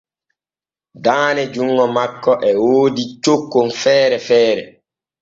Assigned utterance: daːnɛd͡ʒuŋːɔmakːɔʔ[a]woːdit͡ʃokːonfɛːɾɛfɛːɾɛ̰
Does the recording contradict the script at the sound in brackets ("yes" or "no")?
yes